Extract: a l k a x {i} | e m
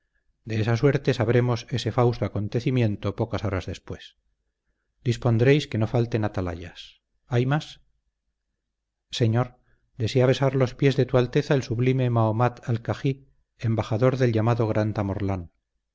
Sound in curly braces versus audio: correct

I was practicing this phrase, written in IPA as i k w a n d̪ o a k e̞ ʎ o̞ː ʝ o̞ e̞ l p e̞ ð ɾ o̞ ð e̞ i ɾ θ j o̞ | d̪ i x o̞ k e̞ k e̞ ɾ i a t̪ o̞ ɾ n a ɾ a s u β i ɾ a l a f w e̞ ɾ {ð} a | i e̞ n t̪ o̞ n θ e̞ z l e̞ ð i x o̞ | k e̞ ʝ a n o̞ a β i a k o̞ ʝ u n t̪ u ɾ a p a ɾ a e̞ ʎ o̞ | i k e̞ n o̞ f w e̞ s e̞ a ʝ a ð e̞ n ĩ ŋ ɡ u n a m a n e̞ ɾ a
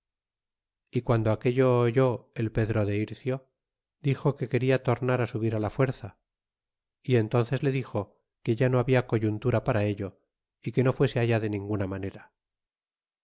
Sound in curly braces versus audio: incorrect: θ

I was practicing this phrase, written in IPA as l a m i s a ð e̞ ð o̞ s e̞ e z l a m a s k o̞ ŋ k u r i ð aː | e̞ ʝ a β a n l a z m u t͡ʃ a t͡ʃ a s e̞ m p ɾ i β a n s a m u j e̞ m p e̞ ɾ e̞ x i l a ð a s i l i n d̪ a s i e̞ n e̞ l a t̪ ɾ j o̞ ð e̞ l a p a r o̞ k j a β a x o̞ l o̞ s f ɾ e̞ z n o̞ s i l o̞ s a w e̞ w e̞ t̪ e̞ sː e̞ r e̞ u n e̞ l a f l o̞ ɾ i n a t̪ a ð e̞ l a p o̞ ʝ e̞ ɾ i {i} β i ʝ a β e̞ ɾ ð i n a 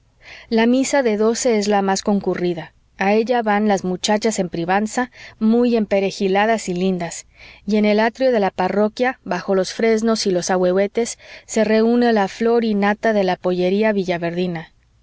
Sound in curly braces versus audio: incorrect: a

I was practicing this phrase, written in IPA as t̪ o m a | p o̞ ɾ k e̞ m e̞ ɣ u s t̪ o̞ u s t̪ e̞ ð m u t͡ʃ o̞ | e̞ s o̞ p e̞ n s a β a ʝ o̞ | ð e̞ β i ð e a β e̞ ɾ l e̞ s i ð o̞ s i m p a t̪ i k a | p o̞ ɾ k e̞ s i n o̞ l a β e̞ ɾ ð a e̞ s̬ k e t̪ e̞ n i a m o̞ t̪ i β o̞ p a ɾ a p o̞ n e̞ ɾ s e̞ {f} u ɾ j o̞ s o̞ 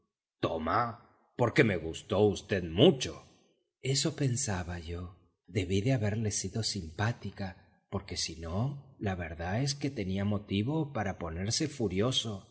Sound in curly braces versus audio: correct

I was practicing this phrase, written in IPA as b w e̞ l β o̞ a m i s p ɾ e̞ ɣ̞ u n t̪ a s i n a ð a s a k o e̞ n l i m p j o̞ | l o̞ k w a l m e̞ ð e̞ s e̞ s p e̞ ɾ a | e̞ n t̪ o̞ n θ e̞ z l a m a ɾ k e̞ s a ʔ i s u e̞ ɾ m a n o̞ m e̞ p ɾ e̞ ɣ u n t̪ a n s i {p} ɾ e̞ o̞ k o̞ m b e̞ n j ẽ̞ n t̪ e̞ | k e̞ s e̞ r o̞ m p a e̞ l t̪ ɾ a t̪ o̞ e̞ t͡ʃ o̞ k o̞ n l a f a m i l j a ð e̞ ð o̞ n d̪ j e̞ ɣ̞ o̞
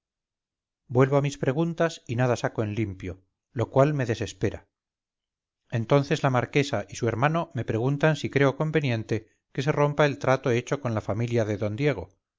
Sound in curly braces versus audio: incorrect: k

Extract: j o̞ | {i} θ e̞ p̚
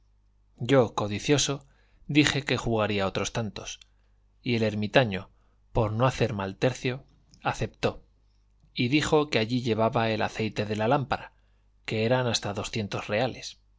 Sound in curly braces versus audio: incorrect: a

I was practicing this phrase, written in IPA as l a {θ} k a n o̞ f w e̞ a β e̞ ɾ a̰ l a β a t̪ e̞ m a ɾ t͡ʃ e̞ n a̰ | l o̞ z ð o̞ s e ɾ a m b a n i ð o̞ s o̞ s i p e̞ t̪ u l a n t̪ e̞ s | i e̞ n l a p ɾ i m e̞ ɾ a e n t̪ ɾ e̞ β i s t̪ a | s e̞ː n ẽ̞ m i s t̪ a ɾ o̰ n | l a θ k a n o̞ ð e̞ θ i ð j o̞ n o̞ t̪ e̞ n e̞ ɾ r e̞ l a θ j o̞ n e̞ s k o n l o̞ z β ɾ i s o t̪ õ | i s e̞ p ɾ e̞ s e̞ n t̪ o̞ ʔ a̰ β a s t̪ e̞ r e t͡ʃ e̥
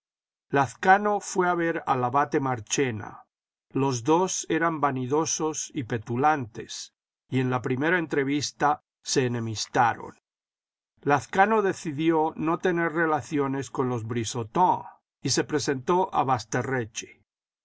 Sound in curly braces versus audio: correct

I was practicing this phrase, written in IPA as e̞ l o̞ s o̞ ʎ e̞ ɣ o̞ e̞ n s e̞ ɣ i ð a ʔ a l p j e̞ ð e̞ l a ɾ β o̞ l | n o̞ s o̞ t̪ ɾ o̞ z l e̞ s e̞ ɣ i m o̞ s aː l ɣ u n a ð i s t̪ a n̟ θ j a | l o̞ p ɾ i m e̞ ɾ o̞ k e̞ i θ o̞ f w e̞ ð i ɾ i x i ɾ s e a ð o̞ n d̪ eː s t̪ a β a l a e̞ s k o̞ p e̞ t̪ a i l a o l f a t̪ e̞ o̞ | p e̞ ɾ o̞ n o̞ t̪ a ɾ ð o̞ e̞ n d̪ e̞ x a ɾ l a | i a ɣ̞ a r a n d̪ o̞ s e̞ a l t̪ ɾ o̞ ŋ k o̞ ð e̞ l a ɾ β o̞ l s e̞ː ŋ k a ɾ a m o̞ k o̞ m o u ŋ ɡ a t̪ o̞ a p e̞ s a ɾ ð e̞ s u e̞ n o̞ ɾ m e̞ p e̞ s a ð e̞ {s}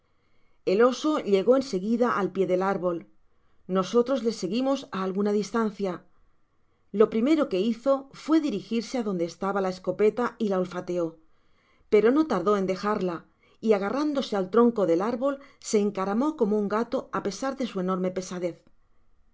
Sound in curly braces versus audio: incorrect: θ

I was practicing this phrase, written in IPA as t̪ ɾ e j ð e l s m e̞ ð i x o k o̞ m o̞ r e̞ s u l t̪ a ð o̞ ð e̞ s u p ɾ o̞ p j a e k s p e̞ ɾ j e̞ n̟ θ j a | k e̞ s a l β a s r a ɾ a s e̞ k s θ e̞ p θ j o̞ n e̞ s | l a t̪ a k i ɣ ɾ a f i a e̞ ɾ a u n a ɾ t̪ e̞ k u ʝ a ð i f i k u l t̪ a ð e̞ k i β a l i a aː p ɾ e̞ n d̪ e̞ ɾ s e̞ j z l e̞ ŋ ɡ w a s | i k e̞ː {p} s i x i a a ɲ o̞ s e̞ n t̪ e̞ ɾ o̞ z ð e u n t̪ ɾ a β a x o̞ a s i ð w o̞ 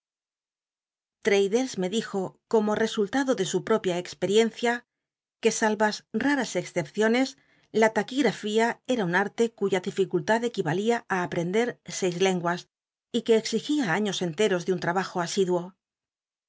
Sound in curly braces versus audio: incorrect: k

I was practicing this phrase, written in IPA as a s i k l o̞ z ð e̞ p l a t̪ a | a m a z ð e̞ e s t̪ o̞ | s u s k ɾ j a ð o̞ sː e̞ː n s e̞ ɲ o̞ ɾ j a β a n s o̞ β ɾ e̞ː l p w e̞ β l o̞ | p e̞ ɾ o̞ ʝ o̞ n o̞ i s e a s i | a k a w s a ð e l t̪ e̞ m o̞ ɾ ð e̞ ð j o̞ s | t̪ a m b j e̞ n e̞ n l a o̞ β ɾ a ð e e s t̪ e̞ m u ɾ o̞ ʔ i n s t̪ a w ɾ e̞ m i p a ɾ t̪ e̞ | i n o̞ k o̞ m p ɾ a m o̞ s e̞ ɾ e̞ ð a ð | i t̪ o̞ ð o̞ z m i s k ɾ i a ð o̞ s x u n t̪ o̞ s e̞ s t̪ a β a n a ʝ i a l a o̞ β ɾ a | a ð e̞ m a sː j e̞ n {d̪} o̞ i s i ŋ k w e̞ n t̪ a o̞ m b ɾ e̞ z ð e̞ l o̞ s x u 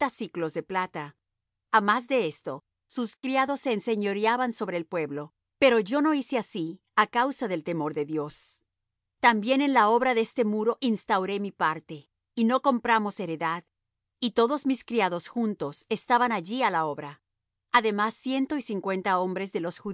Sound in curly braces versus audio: incorrect: t̪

